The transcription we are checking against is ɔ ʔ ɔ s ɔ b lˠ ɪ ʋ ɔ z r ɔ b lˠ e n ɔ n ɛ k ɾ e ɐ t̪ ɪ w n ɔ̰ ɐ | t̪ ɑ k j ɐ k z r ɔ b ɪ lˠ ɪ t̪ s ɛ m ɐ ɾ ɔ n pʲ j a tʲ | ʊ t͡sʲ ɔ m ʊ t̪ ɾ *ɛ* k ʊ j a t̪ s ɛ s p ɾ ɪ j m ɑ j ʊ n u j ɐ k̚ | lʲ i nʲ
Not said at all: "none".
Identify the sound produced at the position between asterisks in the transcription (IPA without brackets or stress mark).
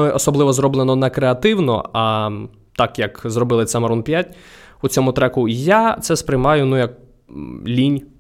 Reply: ɛ